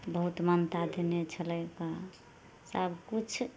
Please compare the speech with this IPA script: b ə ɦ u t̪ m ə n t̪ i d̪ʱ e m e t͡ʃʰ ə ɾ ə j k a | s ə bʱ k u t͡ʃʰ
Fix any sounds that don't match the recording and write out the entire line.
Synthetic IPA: b ə ɦ u t̪ m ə n t̪ a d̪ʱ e n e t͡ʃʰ ə l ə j k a | s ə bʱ k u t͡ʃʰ